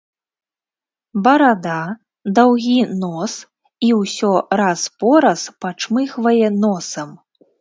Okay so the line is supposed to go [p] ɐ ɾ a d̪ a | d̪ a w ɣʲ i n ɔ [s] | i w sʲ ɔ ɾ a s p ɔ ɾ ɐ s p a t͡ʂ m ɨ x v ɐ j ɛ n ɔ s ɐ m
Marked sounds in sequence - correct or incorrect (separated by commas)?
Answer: incorrect, correct